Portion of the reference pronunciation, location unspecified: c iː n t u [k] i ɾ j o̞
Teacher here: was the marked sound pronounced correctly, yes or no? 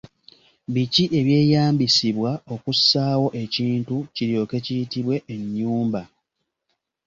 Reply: no